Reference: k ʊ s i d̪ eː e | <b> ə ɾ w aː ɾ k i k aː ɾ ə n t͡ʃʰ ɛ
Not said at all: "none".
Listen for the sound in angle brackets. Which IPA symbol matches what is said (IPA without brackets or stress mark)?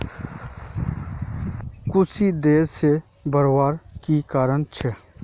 b